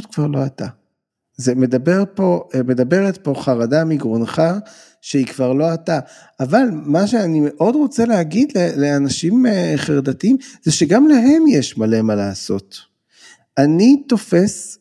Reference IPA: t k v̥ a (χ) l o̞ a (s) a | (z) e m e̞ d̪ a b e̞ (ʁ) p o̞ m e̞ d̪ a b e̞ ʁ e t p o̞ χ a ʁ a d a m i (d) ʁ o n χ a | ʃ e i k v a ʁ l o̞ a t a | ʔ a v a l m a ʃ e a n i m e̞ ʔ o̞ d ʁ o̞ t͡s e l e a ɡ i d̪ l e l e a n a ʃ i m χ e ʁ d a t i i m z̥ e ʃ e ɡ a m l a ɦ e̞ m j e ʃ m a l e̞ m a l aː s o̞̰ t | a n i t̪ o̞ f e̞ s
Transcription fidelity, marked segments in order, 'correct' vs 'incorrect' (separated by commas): incorrect, incorrect, correct, correct, incorrect